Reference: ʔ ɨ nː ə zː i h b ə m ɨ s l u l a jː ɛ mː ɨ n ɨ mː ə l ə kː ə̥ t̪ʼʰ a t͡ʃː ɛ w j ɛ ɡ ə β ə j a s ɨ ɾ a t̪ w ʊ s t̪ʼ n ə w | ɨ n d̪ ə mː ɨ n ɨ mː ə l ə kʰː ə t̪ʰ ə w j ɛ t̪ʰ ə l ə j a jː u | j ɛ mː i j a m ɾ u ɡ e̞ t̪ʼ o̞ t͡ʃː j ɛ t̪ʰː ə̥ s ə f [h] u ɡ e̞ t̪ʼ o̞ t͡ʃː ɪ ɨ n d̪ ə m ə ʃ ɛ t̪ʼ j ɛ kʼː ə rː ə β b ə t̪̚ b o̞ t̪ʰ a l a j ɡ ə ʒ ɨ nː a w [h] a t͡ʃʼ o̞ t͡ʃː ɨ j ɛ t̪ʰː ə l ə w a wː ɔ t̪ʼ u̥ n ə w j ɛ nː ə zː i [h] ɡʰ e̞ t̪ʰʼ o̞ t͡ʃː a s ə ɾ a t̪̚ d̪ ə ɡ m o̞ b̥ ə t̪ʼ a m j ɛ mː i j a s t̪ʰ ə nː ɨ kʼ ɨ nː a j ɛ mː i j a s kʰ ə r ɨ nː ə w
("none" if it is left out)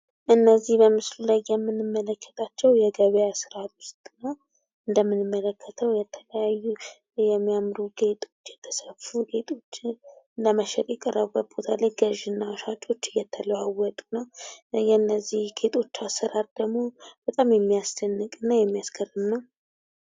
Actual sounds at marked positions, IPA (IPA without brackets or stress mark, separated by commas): f, ʃ, h